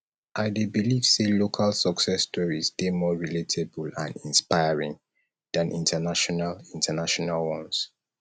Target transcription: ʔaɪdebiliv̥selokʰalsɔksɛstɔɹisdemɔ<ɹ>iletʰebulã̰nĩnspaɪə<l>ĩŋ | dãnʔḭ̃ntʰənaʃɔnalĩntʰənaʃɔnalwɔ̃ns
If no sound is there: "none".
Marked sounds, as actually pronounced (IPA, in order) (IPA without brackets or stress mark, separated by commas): ɹ, ɹ